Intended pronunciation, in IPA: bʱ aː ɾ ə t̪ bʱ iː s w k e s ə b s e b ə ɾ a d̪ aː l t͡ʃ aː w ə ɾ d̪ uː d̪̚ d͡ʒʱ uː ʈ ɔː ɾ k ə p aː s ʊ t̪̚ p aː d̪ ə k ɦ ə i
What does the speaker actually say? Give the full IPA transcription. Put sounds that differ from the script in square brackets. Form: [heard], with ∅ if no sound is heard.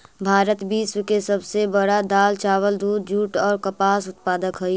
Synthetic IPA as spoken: bʱ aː ɾ ə t̪ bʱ iː s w k e s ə b s e b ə [ɽ] a d̪ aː l t͡ʃ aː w ə [l] d̪ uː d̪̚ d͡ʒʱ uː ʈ ɔː ɾ k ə p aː s ʊ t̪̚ p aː d̪ ə k ɦ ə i